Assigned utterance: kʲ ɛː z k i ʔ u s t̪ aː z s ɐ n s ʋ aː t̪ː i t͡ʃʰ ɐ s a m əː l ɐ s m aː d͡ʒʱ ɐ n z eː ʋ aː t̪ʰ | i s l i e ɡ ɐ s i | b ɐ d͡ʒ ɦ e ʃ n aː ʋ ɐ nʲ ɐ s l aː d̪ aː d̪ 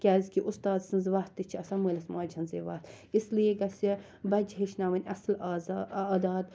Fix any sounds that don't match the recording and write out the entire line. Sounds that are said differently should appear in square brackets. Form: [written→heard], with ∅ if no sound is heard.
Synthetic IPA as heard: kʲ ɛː z k i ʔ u s t̪ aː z s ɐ n [s→z] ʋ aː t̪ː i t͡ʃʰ ɐ s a m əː l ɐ s m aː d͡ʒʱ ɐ n z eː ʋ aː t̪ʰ | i s l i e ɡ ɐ s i | b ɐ d͡ʒ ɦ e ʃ n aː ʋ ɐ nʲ ɐ s l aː d̪ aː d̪

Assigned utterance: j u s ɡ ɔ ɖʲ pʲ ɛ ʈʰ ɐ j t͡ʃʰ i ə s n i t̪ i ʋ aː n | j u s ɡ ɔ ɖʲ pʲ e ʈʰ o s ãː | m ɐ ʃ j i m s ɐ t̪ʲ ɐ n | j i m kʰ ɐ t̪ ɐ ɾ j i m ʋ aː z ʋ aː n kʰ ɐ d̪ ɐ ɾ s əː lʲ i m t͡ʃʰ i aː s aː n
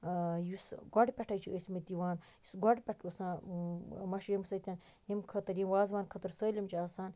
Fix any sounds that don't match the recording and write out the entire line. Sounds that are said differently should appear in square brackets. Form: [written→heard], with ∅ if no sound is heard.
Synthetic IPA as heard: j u s ɡ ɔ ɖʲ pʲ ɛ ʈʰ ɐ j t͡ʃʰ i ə s [n→m] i t̪ i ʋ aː n | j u s ɡ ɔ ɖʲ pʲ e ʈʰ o s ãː | m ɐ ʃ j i m s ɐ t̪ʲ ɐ n | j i m kʰ ɐ t̪ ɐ ɾ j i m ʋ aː z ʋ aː n kʰ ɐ [d̪→t̪] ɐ ɾ s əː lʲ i m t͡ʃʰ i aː s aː n

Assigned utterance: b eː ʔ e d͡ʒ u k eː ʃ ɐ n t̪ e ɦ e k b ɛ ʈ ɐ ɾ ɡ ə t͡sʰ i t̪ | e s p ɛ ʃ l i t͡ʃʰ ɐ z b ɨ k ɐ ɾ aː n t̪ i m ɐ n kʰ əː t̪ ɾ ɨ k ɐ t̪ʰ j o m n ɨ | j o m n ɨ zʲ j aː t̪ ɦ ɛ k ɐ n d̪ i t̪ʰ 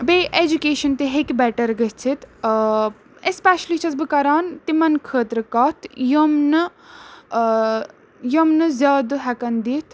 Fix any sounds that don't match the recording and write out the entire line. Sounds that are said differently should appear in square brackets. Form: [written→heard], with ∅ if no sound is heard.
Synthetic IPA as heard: b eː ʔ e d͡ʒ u k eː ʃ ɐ n t̪ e ɦ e k b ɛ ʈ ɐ ɾ ɡ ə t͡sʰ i t̪ | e s p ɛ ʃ l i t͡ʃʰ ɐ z b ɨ k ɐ ɾ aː n t̪ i m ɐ n kʰ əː t̪ ɾ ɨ k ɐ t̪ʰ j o m n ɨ | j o m n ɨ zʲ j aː [t̪→d̪] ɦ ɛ k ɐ n d̪ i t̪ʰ

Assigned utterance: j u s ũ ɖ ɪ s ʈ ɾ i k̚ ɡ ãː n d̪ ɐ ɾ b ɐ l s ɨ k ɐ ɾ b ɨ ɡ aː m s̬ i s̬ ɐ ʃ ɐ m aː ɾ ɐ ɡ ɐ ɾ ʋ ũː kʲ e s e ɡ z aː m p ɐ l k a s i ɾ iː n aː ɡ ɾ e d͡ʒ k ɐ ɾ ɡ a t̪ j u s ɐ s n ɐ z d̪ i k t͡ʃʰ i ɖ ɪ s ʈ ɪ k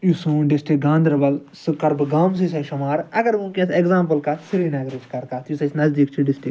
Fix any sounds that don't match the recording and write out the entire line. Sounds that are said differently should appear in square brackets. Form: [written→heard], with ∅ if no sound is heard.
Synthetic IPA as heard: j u s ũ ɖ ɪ s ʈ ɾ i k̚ ɡ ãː n d̪ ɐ ɾ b ɐ l s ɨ k ɐ ɾ b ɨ ɡ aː m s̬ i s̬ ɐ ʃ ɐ m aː ɾ ɐ ɡ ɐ ɾ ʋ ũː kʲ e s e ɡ z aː m p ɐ l k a s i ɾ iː n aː ɡ ɾ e d͡ʒ k ɐ ɾ [ɡ→k] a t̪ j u s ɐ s n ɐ z d̪ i k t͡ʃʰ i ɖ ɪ s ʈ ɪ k

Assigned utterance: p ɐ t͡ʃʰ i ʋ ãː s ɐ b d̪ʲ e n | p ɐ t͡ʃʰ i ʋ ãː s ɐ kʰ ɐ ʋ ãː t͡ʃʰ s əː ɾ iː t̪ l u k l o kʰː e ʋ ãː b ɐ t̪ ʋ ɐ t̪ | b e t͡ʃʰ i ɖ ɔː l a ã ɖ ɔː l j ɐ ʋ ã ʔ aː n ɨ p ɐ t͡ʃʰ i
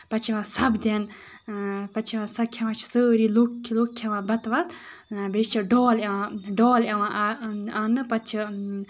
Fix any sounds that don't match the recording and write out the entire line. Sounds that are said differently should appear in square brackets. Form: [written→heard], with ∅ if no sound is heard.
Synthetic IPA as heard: p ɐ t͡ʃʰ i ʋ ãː s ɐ b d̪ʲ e n | p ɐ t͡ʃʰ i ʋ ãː s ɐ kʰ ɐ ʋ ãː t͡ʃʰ s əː ɾ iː [t̪→∅] l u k l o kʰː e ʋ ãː b ɐ t̪ ʋ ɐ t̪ | b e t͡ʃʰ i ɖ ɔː l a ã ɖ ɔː l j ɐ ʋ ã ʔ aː n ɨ p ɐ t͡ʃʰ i

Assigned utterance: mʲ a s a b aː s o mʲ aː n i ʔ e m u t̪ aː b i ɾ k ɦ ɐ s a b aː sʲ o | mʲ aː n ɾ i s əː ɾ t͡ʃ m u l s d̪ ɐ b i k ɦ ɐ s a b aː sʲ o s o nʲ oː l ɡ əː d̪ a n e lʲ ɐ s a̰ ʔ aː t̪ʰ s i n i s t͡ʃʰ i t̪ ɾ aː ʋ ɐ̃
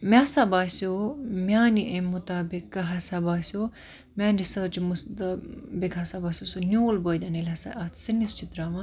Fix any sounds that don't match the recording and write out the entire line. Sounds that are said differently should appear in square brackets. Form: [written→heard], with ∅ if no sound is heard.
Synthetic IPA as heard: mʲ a s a b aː s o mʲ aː n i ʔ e m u t̪ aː b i [ɾ→∅] k ɦ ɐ s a b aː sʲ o | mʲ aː n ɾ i s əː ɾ t͡ʃ m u [l→∅] s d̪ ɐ b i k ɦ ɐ s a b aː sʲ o s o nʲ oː l [ɡ→b] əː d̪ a n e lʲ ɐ s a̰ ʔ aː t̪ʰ s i n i s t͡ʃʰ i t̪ ɾ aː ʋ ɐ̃

